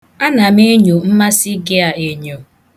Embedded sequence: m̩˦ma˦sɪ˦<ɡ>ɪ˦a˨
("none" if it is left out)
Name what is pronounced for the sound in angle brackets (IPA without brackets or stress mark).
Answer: ɡ